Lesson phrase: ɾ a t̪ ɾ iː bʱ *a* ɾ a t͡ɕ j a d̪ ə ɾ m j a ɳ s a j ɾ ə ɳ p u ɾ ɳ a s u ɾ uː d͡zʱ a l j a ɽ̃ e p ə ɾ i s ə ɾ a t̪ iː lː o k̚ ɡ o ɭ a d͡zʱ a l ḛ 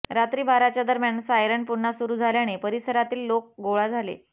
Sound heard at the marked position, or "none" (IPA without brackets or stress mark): a